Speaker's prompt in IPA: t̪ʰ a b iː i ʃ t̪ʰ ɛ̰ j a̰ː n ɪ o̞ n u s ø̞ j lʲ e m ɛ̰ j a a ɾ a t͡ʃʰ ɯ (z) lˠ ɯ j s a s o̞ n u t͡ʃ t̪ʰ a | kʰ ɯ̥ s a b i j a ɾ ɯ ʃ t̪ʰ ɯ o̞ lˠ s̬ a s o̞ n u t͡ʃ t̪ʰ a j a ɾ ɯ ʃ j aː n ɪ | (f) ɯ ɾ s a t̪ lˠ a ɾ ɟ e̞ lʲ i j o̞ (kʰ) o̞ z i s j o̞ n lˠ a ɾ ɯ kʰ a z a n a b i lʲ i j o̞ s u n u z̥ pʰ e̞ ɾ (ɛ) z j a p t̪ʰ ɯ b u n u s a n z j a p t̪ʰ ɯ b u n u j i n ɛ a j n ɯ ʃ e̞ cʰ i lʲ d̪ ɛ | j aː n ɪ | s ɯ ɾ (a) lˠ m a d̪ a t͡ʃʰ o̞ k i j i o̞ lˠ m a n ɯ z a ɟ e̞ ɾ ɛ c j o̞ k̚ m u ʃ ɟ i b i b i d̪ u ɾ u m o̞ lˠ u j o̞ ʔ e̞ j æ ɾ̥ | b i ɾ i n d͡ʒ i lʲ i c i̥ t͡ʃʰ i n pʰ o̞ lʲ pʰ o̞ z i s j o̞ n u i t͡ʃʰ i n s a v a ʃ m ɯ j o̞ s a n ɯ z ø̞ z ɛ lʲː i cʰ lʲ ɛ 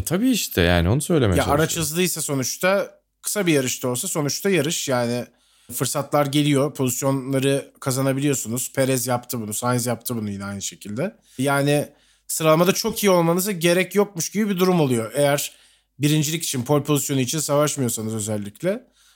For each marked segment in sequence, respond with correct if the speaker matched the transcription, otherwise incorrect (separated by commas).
correct, correct, incorrect, correct, correct